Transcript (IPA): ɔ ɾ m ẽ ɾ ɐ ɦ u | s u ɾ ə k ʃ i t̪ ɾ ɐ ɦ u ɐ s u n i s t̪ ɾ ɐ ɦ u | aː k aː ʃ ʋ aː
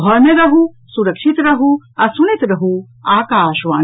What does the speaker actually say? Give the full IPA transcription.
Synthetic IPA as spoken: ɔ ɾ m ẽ ɾ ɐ ɦ u | s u ɾ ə k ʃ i t̪ ɾ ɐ ɦ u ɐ s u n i t̪ ɾ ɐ ɦ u | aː k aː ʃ ʋ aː